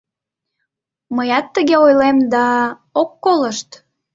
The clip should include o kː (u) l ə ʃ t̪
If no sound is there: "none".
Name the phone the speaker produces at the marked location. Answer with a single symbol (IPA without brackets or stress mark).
o